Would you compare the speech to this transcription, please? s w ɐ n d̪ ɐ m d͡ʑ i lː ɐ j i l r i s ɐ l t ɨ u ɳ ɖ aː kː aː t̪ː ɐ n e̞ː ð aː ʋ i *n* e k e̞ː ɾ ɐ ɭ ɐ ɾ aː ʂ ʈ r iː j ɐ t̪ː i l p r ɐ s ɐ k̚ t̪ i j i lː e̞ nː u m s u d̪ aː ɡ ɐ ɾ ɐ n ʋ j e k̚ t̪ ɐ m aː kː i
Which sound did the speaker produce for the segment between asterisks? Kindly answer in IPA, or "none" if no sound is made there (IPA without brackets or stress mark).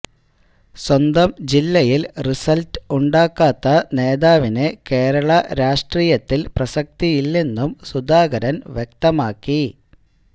n